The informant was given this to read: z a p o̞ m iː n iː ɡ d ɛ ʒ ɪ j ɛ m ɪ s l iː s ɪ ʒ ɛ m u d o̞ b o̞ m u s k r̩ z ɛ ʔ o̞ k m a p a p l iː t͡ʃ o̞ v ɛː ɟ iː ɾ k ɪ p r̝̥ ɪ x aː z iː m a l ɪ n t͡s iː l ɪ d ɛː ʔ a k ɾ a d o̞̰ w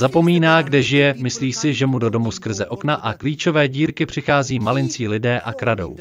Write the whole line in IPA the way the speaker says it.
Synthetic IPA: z a p o̞ m iː n aː ɡ d ɛ ʒ ɪ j ɛ m ɪ s l iː s ɪ ʒ ɛ m u d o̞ d o̞ m u s k r̩ z ɛ ʔ o̞ k n a ʔ a k l iː t͡ʃ o̞ v ɛː ɟ iː ɾ k ɪ p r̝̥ ɪ x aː z iː m a l ɪ n t͡s iː l ɪ d ɛː ʔ a k ɾ a d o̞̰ w